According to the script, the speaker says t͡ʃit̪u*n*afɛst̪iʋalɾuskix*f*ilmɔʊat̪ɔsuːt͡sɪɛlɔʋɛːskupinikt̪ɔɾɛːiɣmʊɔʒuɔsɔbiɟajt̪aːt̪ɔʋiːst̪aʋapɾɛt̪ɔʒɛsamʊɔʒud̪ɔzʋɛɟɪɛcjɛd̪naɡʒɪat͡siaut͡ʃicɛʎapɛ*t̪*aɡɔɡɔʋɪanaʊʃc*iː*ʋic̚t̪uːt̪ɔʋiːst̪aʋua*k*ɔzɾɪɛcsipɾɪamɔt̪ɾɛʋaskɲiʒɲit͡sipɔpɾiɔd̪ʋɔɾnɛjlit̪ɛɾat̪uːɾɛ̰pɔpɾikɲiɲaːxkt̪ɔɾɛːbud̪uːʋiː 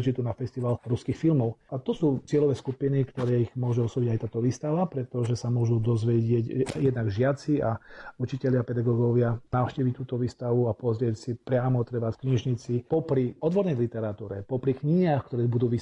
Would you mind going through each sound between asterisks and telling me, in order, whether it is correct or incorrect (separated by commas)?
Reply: correct, correct, incorrect, correct, incorrect